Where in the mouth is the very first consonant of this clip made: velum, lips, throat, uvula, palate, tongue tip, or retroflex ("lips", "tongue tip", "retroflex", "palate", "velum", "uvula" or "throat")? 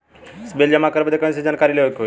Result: tongue tip